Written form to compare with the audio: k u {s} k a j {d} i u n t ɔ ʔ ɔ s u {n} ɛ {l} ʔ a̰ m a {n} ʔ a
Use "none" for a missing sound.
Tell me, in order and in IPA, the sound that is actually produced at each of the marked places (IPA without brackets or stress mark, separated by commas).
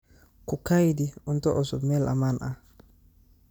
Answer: none, d, m, l, n